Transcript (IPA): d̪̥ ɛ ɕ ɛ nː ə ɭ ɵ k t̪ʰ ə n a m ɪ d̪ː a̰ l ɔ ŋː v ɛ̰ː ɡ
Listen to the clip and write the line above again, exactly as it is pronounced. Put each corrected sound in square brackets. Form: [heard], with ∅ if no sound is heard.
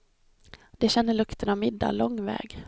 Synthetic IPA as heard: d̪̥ ɛ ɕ ɛ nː ə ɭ ɵ k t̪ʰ ə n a m ɪ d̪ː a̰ l ɔ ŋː v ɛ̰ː ɡ